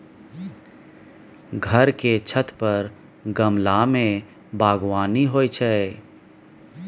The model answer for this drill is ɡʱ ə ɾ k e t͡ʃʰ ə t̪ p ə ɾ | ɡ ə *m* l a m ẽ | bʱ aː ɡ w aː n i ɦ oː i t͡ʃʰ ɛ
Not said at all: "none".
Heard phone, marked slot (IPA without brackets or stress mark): m